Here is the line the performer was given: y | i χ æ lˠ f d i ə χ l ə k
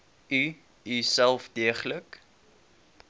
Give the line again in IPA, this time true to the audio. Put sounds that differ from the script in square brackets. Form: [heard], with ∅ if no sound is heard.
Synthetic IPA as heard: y | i [s] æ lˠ f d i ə χ l ə k